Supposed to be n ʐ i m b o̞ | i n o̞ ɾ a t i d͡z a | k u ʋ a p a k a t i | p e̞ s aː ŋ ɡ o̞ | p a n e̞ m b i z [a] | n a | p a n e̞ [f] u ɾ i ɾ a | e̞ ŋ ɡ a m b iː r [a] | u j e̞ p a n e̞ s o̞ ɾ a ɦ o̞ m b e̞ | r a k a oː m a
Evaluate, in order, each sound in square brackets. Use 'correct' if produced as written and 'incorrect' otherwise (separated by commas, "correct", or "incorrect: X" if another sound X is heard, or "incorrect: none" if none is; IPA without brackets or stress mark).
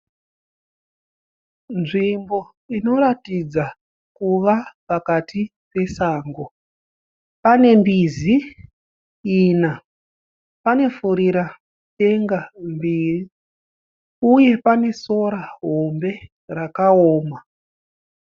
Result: incorrect: i, correct, incorrect: i